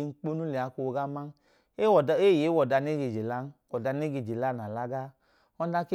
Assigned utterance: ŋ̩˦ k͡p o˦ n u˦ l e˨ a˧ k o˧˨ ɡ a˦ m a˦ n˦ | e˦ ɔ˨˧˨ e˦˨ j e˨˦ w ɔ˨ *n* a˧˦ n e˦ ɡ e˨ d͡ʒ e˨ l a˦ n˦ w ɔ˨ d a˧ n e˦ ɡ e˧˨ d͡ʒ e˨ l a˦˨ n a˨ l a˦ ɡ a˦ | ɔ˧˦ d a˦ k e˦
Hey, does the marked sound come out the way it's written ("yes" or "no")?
no